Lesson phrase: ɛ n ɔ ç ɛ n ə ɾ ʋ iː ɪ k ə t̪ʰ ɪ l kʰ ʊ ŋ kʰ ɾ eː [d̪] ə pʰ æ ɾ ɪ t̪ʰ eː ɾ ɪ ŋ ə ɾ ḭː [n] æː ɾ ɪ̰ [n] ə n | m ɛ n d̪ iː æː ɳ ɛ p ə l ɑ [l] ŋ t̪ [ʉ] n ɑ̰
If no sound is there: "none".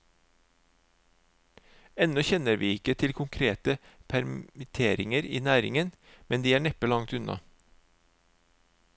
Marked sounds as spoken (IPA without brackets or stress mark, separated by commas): t̪, n, ŋ, none, ʉ